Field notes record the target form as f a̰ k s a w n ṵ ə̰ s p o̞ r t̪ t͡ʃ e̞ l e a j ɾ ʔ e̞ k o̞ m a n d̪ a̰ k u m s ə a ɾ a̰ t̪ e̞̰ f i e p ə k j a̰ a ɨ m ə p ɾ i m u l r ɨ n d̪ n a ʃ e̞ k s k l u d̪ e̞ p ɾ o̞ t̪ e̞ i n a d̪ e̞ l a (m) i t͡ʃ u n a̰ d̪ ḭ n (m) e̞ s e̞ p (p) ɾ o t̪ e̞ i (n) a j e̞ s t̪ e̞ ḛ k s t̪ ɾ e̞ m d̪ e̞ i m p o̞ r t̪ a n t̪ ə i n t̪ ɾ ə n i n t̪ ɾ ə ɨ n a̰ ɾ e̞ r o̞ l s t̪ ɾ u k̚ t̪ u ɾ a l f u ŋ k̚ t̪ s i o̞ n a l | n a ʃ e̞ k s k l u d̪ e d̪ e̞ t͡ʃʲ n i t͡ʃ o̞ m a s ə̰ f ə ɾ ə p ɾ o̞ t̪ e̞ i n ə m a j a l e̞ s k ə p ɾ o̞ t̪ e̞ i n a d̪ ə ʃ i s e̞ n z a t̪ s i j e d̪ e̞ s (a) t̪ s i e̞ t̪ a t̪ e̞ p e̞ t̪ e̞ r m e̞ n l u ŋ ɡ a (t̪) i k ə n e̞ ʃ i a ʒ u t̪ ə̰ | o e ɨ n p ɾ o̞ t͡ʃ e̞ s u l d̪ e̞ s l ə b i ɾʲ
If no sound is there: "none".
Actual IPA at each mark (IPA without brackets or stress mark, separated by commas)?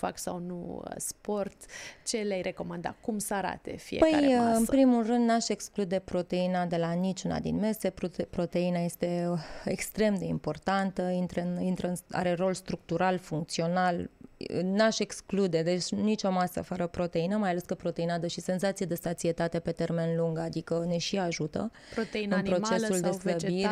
n, m, p, n, a, d̪